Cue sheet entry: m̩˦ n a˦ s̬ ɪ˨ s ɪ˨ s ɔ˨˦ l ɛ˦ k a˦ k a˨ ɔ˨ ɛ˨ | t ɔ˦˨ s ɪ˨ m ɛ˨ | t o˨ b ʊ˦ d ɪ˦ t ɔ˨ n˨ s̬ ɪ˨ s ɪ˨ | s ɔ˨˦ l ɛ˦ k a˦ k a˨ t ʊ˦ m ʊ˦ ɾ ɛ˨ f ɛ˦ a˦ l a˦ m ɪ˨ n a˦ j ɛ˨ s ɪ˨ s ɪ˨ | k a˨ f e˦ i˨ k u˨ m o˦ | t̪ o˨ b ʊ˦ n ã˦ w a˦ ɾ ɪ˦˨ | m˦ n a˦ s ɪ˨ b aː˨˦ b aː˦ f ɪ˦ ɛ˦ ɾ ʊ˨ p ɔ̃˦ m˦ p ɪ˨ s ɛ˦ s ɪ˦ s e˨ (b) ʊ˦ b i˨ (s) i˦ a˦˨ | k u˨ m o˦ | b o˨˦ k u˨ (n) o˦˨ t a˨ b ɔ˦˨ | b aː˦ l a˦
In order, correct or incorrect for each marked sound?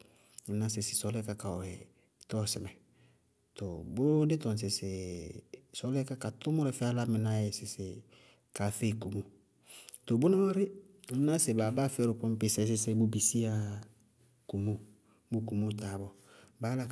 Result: correct, correct, incorrect: m

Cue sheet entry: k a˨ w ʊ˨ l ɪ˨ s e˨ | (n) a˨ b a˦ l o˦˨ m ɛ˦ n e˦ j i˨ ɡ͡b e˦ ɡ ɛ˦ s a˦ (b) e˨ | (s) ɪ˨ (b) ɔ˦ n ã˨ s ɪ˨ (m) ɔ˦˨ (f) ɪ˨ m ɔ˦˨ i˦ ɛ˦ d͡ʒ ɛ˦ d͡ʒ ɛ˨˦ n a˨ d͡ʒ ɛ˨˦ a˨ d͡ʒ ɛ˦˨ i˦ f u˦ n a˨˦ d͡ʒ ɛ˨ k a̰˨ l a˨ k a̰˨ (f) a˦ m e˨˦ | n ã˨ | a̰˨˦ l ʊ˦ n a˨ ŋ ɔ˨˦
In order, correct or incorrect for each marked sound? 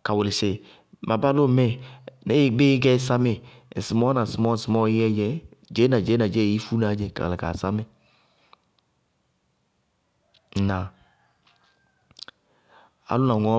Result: incorrect: m, incorrect: m, correct, incorrect: m, correct, incorrect: s, incorrect: s

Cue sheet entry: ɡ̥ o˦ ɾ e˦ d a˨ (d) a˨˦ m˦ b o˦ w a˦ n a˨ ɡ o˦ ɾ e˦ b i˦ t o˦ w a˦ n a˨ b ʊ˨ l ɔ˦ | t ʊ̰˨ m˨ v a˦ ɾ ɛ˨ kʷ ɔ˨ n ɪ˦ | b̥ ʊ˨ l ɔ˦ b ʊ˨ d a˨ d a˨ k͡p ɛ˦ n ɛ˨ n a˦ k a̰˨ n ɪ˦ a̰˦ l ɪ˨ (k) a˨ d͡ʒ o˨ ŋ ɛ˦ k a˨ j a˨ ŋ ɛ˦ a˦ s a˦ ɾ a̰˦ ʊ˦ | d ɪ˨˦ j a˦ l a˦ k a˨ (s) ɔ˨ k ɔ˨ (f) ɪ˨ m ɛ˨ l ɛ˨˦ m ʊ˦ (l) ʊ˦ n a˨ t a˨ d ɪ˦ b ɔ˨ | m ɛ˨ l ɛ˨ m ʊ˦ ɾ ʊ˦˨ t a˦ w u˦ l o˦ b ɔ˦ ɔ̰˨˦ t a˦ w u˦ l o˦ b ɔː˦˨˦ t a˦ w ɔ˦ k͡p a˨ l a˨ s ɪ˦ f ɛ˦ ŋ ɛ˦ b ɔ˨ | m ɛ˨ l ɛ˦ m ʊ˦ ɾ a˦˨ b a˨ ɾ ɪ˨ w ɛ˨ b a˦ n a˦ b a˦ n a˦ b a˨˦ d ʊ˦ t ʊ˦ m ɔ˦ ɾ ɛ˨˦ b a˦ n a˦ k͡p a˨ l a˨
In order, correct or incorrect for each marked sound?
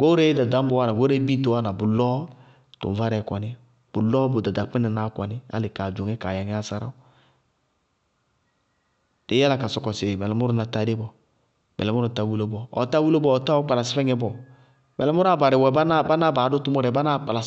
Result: correct, correct, correct, incorrect: s, incorrect: ɾ

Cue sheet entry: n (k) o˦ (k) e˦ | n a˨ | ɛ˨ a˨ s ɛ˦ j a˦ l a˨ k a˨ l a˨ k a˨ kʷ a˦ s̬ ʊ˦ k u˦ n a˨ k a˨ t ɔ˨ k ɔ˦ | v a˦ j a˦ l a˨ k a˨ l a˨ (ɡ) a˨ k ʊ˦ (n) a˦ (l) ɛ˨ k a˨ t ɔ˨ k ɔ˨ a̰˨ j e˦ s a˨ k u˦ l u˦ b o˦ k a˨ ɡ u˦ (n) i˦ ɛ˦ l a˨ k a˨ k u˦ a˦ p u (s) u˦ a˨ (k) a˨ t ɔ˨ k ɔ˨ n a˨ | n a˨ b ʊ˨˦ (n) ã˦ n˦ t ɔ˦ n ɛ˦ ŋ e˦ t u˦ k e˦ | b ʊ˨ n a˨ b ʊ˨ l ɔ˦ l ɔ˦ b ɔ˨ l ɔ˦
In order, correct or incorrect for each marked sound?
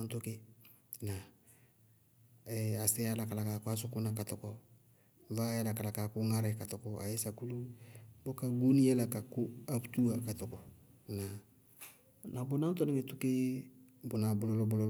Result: incorrect: t, correct, incorrect: k, incorrect: ŋ, incorrect: ɾ, correct, incorrect: t, correct, correct

